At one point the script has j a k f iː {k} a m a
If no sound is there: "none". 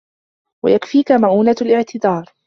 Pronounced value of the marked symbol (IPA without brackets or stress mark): k